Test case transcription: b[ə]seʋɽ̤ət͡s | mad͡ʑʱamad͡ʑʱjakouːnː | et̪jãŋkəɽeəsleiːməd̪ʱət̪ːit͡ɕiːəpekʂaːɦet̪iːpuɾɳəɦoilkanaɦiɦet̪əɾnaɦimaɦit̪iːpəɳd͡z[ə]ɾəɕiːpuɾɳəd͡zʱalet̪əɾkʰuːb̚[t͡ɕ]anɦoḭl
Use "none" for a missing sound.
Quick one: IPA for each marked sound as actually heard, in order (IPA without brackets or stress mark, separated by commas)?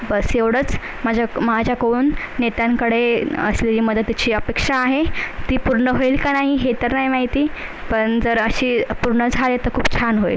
ə, ə, t͡ɕʰ